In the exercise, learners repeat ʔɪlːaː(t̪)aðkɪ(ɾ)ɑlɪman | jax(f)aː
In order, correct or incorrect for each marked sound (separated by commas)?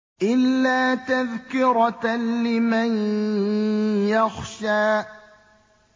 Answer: correct, correct, incorrect